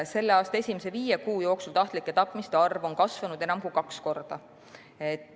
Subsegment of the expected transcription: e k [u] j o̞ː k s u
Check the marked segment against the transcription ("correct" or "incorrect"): incorrect